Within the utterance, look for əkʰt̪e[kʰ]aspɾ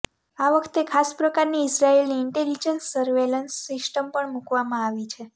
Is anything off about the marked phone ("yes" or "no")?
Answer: no